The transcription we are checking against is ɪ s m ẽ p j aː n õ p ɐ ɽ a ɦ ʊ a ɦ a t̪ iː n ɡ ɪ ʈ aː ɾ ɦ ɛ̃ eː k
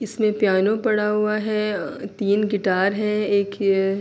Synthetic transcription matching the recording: ɪ s m ẽ p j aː n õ p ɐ ɽ a ɦ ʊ a ɦ ɛ t̪ iː n ɡ ɪ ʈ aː ɾ ɦ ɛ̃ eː k